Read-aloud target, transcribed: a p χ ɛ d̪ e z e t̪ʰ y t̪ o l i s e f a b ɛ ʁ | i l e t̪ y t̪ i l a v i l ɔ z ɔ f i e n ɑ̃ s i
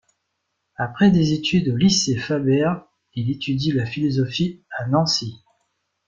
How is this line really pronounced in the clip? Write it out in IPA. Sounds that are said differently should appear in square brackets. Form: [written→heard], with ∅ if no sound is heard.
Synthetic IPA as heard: a p χ ɛ d̪ e z e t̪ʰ y [t̪→d̪] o l i s e f a b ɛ ʁ | i l e t̪ y [t̪→d̪] i l a [v→f] i l ɔ z ɔ f i [e→a] n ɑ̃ s i